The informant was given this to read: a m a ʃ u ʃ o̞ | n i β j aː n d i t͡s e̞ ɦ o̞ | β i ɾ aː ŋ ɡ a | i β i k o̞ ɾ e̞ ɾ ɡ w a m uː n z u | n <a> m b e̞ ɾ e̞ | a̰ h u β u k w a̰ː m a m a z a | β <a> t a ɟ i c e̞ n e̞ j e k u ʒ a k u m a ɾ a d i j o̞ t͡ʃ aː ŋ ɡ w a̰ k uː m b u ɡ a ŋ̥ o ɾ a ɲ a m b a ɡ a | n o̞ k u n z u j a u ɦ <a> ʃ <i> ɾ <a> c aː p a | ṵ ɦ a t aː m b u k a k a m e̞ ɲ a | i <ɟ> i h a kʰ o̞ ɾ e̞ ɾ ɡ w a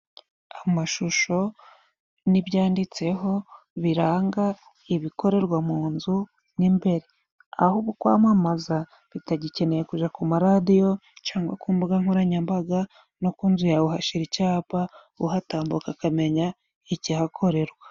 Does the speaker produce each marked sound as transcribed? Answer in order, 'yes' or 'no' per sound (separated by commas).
no, no, yes, yes, no, no